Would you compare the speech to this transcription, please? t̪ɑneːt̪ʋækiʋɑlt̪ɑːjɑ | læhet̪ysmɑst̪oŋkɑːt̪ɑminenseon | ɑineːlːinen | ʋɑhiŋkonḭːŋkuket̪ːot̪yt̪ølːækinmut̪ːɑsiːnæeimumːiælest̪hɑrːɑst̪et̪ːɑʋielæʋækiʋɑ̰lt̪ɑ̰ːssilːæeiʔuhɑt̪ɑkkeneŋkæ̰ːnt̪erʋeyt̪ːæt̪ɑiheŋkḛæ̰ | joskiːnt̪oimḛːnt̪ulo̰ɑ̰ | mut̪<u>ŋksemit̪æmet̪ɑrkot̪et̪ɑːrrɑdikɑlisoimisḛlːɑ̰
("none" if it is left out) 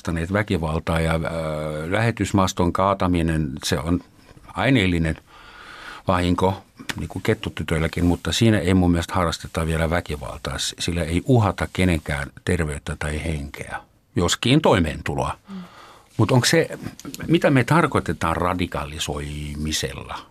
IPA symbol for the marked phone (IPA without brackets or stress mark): o